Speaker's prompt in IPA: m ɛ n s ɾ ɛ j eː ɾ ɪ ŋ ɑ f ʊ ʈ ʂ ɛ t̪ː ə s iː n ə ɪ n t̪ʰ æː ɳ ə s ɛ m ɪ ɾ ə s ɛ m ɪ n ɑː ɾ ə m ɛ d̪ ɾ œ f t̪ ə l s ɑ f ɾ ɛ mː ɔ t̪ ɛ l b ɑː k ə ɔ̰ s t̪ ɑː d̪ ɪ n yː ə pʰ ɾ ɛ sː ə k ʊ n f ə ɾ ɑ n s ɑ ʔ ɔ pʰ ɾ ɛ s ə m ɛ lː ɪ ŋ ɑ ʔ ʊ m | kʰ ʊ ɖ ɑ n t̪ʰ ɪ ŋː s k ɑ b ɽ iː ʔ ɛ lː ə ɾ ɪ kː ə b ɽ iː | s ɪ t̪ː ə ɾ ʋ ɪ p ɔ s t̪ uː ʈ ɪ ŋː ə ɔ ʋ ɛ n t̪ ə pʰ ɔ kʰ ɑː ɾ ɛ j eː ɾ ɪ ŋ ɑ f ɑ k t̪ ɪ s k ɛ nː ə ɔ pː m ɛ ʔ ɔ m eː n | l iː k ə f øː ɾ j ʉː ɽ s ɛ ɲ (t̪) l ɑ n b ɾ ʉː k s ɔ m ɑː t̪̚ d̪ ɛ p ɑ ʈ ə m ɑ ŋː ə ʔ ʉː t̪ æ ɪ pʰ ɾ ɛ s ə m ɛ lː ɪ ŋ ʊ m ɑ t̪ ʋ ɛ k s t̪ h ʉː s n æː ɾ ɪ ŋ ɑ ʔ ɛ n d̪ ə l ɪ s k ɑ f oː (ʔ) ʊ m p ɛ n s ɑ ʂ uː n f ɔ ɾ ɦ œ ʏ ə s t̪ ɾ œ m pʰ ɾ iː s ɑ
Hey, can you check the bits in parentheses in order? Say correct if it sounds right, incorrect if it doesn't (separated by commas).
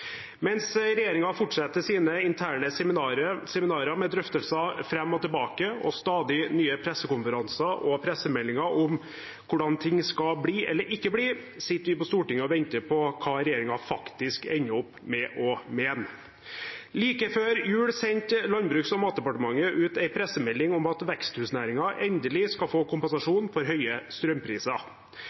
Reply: correct, incorrect